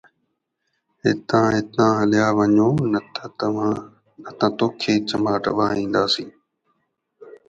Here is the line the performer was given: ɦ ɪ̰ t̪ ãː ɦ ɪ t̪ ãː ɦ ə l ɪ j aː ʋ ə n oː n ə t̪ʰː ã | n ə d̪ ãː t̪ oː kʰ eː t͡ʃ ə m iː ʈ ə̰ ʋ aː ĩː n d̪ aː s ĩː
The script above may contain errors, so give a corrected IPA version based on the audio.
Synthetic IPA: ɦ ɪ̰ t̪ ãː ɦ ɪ t̪ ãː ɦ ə l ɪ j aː ʋ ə ɲ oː n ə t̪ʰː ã | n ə t̪ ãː t̪ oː kʰ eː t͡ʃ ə m aː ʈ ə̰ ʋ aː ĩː n d̪ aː s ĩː